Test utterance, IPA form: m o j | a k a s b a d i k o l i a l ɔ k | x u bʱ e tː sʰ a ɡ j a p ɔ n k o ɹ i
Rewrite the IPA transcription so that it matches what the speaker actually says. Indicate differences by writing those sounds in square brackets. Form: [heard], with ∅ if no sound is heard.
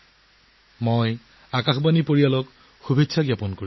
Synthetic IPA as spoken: m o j | a k a [x] b a [n] i [p] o [ɹ] i a l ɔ k | x u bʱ e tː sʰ a ɡ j a p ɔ n k o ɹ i